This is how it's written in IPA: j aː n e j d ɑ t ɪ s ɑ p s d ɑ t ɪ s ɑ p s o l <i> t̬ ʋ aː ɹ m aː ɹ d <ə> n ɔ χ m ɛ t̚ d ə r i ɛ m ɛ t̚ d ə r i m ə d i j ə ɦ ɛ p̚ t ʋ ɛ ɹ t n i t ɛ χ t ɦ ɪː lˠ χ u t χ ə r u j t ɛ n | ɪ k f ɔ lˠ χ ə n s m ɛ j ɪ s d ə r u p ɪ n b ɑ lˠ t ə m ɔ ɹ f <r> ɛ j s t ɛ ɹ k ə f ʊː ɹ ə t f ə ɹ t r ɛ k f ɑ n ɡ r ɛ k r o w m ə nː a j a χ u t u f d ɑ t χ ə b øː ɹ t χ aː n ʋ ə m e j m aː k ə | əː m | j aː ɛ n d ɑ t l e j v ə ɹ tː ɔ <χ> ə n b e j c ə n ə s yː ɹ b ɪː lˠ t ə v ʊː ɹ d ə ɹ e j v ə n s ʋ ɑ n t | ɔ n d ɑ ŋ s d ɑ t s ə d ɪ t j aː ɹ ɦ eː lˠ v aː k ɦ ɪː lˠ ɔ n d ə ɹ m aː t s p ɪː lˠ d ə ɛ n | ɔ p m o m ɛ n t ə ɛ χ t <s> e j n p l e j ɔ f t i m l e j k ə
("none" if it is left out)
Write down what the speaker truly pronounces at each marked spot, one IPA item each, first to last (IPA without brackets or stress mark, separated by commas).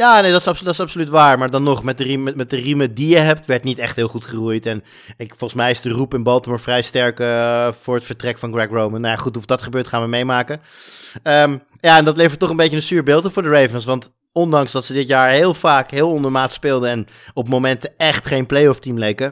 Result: y, ɑ, r, χ, χ